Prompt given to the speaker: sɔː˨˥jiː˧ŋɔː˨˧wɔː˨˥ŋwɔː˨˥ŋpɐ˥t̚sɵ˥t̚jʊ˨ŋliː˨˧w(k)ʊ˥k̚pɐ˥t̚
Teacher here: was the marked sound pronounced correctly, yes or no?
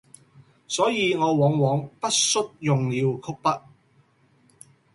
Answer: no